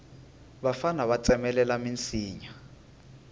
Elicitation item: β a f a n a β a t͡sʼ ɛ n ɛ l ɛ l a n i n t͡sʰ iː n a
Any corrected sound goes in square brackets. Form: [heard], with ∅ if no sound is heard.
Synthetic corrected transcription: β a f a n a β a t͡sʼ ɛ [m] ɛ l ɛ l a [m] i n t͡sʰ iː [ɲ] a